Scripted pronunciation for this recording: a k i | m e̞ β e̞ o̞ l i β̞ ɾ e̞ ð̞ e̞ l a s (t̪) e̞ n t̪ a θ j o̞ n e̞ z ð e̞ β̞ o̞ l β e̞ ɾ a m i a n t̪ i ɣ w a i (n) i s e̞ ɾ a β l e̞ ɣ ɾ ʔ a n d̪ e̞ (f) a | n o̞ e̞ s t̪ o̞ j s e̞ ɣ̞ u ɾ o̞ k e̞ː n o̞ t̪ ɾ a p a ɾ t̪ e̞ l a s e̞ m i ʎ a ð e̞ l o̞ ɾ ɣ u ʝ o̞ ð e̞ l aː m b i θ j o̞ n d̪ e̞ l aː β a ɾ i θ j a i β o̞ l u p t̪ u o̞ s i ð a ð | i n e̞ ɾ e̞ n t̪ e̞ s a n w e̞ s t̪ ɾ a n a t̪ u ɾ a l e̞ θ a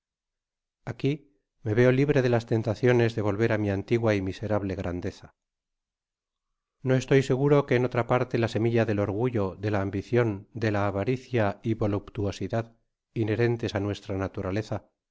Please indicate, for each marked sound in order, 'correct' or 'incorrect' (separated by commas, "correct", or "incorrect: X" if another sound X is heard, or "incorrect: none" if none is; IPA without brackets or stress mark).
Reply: correct, incorrect: m, incorrect: θ